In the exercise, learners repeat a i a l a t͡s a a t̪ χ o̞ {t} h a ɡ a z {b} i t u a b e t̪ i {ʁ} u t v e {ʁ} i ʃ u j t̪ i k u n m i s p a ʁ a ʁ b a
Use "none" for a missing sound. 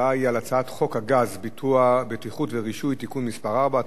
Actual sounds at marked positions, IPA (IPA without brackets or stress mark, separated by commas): k, b, χ, ʁ